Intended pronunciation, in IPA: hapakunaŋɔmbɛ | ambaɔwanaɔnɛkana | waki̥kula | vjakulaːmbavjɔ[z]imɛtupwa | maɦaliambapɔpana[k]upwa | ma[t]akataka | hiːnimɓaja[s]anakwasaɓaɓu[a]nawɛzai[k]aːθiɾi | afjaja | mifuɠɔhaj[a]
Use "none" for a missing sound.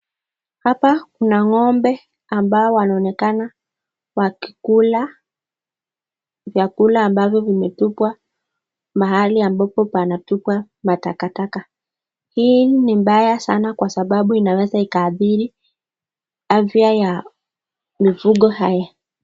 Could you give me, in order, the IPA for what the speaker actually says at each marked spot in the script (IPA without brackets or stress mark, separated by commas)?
v, t, t, s, i, k, a